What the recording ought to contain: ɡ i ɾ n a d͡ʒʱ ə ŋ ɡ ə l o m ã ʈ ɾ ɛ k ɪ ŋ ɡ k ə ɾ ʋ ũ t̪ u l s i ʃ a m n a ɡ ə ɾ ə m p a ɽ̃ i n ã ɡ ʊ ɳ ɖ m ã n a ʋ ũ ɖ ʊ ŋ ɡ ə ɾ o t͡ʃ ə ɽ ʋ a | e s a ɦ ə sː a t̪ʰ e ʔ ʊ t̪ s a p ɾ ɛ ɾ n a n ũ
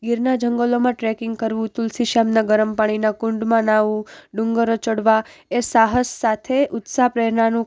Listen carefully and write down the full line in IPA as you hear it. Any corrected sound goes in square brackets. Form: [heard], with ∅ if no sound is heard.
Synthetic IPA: ɡ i ɾ n a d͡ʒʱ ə ŋ ɡ ə l o m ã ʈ ɾ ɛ k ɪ ŋ ɡ k ə ɾ ʋ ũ t̪ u l s i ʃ a m n a ɡ ə ɾ ə m p a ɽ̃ i n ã [k] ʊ ɳ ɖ m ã n a ʋ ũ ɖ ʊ ŋ ɡ ə ɾ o t͡ʃ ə ɽ ʋ a | e s a ɦ ə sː a t̪ʰ e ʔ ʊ t̪ s a p ɾ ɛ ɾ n a n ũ

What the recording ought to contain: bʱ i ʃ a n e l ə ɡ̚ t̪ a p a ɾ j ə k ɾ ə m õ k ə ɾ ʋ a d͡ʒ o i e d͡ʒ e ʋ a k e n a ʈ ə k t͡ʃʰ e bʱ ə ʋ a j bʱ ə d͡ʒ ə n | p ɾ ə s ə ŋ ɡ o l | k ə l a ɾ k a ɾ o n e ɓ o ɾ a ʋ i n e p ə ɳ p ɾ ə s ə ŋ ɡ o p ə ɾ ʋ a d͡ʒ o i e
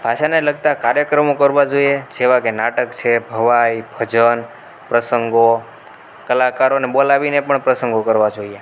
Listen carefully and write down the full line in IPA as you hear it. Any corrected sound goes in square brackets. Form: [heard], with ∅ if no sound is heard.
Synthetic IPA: bʱ [a] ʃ a n e l ə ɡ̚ t̪ a [k] a ɾ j ə k ɾ ə m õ k ə ɾ ʋ a d͡ʒ o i e d͡ʒ e ʋ a k e n a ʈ ə k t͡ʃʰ e bʱ ə ʋ a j bʱ ə d͡ʒ ə n | p ɾ ə s ə ŋ ɡ o [∅] | k ə l a [∅] k a ɾ o n e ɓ o [l] a ʋ i n e p ə ɳ p ɾ ə s ə ŋ ɡ o [k] ə ɾ ʋ a d͡ʒ o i e

